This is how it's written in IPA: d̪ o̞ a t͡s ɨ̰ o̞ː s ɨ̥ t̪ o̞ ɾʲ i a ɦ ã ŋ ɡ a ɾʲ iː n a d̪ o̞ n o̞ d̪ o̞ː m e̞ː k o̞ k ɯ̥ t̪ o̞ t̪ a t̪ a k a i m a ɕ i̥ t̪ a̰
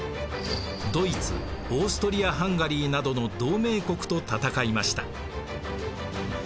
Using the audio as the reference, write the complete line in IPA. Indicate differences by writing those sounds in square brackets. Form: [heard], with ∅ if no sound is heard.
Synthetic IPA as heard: d̪ o̞ [i] t͡s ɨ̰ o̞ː s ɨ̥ t̪ o̞ ɾʲ i a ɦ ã ŋ ɡ a ɾʲ iː n a d̪ o̞ n o̞ d̪ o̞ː m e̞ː k o̞ k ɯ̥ t̪ o̞ t̪ a t̪ a k a i m a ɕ i̥ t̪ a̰